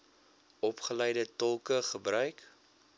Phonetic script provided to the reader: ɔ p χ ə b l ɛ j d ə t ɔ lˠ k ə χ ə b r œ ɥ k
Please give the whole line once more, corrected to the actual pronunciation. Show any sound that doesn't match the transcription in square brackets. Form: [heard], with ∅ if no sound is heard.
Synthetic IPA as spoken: ɔ p χ ə [∅] l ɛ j d ə t ɔ lˠ k ə χ ə b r œ ɥ k